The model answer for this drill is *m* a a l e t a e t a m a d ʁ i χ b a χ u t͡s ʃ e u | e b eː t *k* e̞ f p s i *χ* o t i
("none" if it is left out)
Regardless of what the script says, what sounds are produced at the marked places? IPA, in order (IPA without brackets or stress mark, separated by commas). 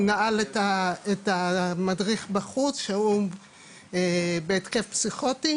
n, k, χ